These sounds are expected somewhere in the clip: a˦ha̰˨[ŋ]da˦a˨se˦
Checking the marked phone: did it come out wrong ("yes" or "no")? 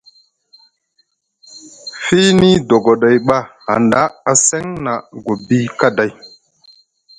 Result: yes